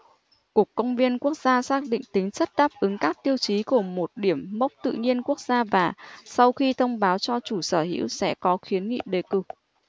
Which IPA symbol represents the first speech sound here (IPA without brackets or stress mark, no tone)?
k